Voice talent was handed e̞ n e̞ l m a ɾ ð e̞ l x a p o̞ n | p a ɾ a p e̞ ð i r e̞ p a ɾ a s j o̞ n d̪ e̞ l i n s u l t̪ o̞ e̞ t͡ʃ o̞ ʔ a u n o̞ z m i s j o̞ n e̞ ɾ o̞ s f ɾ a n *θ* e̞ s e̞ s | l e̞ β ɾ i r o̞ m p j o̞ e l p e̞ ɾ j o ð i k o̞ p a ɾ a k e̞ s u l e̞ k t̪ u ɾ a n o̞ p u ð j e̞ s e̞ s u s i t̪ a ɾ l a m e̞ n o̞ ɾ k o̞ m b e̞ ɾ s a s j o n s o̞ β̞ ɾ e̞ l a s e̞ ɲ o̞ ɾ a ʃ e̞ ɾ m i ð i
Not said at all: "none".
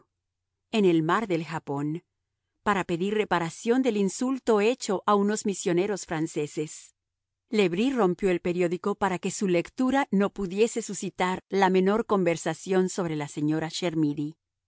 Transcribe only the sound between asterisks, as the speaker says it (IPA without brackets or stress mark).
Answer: s